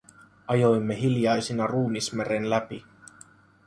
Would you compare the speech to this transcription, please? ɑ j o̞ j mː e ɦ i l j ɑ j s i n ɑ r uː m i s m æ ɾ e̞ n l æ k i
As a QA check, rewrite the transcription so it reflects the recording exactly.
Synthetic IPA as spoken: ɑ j o̞ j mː e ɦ i l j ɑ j s i n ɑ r uː m i s m e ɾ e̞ n l æ p i